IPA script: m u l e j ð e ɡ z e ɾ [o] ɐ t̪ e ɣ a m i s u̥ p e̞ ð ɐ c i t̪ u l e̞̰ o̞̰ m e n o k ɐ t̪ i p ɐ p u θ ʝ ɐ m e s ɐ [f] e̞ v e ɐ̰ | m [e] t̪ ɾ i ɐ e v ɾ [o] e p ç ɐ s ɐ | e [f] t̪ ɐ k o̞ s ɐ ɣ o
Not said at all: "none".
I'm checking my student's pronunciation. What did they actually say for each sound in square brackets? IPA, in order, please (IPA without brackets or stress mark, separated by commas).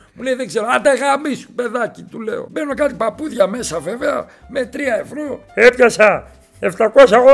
o, v, e, o, f